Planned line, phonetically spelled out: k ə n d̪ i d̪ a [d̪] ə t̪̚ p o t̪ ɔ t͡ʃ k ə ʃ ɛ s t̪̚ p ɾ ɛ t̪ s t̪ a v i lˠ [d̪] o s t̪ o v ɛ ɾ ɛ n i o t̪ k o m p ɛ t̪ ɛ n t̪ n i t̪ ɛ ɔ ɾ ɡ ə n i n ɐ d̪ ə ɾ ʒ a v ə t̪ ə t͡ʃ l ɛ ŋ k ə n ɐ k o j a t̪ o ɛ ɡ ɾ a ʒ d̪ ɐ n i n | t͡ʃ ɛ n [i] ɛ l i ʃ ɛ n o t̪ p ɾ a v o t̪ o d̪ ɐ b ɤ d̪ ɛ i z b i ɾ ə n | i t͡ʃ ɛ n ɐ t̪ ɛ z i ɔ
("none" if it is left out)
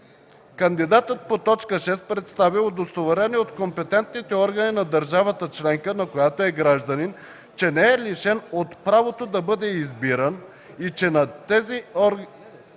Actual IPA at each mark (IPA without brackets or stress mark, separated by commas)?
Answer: t̪, d̪, ɛ